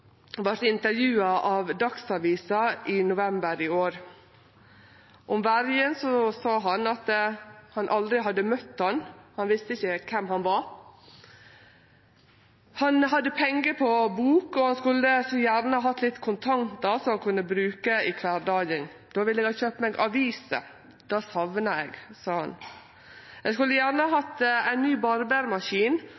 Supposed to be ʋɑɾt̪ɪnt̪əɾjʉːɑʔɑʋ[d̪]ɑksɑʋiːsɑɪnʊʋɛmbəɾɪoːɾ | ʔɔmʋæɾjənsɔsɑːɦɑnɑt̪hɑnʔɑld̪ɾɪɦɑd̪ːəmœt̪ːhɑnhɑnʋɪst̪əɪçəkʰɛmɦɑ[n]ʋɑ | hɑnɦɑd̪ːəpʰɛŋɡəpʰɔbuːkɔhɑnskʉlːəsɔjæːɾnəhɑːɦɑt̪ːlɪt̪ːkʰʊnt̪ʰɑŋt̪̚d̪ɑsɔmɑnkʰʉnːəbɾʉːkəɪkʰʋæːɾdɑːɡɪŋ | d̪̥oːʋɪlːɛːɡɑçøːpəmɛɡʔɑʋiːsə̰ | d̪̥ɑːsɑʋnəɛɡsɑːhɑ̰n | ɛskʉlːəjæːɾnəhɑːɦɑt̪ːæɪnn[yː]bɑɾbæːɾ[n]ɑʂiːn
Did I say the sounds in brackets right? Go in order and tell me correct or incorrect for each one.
correct, correct, correct, incorrect: m

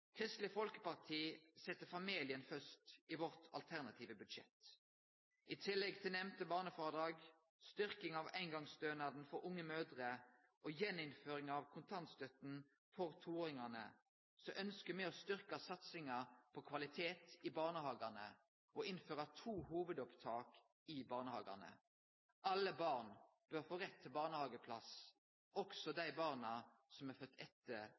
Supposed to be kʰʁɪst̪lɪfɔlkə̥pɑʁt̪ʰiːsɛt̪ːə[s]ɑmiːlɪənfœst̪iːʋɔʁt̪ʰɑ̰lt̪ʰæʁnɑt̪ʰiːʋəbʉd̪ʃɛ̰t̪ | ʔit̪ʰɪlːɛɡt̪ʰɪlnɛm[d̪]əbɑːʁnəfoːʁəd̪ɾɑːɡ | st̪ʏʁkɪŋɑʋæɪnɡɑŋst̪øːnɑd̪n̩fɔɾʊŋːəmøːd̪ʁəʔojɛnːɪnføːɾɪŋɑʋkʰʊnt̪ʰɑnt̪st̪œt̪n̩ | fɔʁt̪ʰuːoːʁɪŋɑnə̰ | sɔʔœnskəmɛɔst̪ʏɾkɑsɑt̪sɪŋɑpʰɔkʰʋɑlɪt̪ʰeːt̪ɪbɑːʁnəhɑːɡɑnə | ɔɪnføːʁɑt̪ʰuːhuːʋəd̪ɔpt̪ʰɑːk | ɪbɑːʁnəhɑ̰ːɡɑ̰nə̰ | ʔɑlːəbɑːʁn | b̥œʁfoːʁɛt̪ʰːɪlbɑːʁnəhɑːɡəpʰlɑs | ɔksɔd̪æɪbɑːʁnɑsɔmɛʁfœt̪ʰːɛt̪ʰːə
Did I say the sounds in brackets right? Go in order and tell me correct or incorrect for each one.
incorrect: f, incorrect: t̪

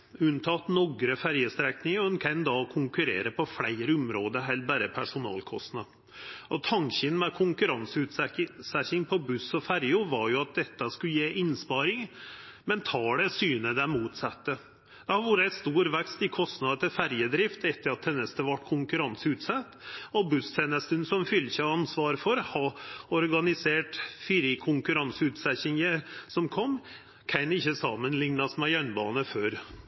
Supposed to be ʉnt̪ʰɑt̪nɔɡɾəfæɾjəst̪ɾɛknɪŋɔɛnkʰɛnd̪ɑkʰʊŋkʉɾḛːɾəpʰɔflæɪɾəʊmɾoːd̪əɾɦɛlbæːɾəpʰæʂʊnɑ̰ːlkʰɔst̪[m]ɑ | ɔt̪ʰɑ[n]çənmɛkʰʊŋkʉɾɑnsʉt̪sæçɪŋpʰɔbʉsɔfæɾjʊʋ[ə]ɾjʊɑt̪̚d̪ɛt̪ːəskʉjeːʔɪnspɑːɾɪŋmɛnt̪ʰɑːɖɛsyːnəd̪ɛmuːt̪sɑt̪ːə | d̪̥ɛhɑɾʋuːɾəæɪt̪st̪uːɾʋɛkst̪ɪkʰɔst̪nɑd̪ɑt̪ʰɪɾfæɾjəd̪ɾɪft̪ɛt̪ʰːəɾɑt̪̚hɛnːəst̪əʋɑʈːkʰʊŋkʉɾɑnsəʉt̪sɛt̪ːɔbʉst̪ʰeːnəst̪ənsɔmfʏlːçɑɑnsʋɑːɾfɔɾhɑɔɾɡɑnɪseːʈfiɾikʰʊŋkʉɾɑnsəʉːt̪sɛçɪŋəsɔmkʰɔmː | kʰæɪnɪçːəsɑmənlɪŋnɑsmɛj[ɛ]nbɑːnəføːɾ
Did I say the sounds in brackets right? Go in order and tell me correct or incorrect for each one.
incorrect: n, incorrect: ŋ, incorrect: ɑ, incorrect: œ

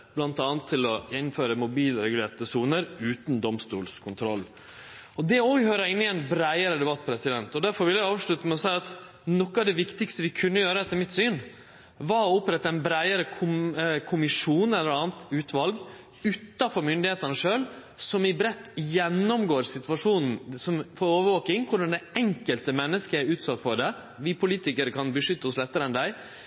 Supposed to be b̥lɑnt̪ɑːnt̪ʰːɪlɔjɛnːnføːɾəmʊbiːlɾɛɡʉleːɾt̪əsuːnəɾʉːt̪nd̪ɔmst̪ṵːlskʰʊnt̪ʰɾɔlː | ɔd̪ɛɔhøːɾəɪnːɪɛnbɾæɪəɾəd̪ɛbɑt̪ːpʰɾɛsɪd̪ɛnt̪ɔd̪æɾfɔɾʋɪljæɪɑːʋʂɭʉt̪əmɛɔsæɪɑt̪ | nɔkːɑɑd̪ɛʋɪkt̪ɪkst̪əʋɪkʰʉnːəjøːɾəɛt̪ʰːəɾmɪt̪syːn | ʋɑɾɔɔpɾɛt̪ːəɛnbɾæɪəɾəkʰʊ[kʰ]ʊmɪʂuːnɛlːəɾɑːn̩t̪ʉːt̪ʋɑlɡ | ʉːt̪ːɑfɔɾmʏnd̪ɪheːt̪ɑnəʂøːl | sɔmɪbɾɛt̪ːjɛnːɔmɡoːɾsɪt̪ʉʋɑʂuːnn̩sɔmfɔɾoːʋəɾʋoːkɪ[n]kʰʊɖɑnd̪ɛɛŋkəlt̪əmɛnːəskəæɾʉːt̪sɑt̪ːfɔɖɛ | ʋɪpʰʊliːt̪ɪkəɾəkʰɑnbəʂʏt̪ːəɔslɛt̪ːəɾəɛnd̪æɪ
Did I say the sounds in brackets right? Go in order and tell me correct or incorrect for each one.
correct, incorrect: ŋ

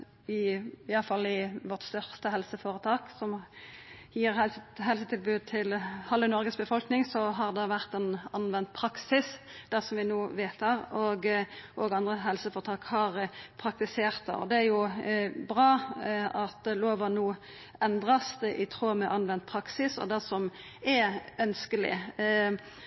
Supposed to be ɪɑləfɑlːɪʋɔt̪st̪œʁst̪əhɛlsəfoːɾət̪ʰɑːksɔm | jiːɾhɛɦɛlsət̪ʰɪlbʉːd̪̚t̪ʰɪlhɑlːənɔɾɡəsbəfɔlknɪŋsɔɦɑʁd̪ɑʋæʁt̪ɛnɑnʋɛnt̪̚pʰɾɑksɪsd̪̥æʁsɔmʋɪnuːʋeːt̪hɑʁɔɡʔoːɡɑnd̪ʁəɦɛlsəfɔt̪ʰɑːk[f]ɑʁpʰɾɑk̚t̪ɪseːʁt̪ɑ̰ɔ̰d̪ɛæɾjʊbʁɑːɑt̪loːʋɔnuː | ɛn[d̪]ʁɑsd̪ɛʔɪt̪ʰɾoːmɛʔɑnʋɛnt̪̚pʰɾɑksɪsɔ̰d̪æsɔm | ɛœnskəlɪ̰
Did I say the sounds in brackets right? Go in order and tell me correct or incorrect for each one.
incorrect: h, correct

